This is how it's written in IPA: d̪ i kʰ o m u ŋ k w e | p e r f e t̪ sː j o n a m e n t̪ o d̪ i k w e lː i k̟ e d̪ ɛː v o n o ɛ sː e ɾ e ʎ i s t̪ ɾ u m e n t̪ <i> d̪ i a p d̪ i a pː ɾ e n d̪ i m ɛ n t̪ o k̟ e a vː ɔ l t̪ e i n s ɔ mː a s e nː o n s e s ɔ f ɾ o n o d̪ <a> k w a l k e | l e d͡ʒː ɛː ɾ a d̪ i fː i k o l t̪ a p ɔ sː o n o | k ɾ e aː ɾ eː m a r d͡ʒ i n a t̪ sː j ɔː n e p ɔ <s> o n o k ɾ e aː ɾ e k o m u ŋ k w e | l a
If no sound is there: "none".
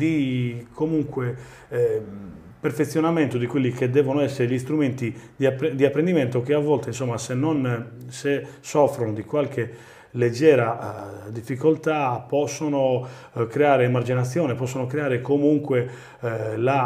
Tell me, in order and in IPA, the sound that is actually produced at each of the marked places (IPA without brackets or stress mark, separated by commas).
i, i, sː